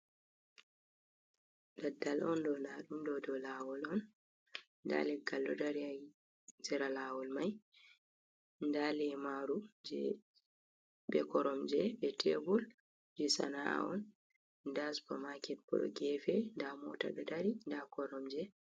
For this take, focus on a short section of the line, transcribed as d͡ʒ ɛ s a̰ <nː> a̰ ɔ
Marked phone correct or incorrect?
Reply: incorrect